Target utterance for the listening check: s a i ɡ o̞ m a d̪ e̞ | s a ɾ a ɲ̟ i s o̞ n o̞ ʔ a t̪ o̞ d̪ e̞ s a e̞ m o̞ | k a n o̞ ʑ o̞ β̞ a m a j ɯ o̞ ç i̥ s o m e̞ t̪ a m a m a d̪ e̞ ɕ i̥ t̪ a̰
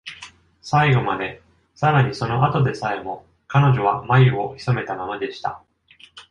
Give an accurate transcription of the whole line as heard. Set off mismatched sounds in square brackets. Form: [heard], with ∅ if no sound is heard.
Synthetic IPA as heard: s a i ɡ o̞ m a d̪ e̞ | s a ɾ a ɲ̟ i s o̞ n o̞ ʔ a t̪ o̞ d̪ e̞ s a e̞ m o̞ | k a n o̞ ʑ o̞ β̞ a m a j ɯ o̞ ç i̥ s o m e̞ t̪ a m a m a d̪ e̞ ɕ i̥ t̪ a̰